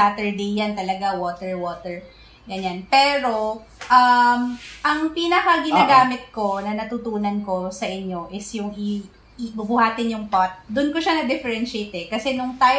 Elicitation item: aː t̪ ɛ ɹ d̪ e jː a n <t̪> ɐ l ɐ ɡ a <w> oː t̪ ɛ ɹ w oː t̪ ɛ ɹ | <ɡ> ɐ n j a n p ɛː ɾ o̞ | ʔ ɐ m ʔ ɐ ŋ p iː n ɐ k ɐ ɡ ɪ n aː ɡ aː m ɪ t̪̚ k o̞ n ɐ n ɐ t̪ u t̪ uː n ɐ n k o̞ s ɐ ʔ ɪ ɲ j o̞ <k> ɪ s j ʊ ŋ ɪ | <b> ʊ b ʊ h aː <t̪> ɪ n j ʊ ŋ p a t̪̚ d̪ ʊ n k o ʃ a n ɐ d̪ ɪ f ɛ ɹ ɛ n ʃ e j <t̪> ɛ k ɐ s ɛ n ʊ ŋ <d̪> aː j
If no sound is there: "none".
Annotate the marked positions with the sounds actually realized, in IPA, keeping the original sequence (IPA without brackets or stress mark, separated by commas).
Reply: t̪, w, ɡ, ʔ, b, t̪, t̪, t̪